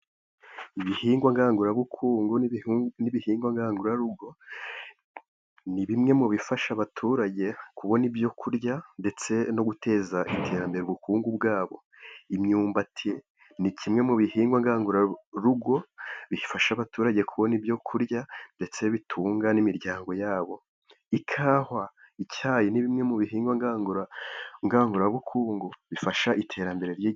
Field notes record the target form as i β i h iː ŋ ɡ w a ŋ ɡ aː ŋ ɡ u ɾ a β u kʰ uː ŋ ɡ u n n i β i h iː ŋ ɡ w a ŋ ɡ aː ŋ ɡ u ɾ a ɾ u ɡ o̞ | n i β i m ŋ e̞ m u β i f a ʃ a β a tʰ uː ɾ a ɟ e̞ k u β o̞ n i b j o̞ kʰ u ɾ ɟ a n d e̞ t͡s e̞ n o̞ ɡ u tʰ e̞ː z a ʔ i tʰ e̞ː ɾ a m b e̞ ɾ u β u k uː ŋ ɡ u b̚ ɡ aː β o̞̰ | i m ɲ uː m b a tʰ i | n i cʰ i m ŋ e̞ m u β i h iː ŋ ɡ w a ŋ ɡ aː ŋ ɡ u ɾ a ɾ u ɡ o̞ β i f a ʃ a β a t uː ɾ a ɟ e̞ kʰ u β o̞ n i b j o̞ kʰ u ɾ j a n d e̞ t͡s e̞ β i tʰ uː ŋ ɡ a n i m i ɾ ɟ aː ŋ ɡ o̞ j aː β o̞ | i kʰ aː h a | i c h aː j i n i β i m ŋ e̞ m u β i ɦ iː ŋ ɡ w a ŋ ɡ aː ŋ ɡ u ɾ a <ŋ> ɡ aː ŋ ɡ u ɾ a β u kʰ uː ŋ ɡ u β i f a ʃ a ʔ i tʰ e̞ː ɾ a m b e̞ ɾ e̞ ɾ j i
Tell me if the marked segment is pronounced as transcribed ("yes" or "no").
yes